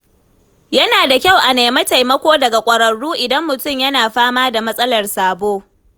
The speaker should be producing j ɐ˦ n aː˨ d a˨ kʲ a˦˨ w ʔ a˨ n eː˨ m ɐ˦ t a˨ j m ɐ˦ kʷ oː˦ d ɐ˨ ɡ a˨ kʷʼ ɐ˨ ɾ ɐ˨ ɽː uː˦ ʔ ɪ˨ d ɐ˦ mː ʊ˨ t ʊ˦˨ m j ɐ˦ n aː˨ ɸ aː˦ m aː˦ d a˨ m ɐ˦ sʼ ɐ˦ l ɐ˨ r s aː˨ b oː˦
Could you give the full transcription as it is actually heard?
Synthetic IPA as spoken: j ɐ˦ n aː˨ d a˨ kʲ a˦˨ w ʔ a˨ n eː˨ m ɐ˦ t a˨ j m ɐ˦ kʷ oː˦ d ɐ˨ ɡ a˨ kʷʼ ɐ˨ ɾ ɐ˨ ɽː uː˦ ʔ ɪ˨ d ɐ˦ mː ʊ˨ t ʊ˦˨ m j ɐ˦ n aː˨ ɸ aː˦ m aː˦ d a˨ m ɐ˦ sʼ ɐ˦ l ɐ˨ r s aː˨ b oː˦